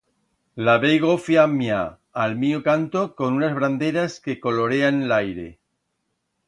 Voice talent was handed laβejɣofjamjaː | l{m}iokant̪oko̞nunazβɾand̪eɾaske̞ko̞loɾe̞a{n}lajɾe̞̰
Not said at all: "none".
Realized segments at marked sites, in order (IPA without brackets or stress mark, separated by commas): m, n